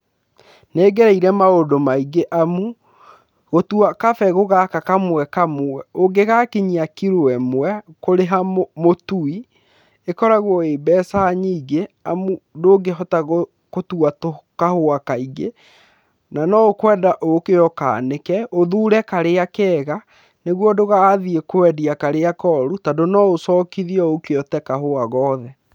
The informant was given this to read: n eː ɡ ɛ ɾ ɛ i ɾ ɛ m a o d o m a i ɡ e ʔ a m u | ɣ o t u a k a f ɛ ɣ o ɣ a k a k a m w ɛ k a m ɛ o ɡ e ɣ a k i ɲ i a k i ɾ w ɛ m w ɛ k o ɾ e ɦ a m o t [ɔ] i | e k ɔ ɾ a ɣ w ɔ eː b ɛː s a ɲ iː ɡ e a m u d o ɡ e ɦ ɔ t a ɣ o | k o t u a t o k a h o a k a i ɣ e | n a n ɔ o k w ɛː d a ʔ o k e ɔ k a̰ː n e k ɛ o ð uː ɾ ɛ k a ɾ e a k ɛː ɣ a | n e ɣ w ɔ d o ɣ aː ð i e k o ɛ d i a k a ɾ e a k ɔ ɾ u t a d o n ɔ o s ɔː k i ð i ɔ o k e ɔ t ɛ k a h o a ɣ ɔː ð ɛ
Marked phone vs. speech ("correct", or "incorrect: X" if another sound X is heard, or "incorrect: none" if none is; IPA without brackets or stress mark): incorrect: u